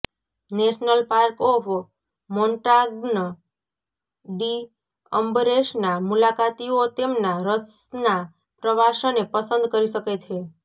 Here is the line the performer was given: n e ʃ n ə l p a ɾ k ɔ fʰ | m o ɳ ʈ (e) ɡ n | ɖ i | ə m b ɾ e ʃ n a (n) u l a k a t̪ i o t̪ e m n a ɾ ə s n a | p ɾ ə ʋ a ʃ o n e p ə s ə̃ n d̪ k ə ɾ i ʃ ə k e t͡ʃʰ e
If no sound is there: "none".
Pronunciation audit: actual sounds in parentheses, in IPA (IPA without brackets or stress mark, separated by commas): a, m